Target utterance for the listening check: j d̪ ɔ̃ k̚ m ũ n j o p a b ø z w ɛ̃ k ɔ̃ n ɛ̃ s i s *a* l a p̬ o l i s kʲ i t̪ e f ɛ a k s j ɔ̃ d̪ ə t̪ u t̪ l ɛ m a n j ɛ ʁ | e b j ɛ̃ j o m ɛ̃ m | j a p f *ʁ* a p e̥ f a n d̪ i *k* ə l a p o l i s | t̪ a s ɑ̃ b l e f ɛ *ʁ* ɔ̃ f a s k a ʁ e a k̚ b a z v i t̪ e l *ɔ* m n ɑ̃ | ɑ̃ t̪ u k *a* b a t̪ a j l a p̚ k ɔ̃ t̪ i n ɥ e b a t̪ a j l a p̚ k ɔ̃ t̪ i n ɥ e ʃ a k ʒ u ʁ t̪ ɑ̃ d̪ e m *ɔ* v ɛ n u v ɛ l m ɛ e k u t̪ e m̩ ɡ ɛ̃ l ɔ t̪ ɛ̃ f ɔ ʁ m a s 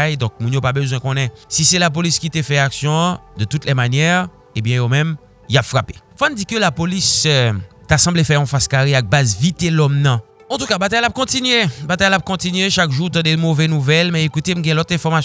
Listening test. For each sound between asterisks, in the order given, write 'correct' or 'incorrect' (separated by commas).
incorrect, correct, correct, correct, correct, correct, incorrect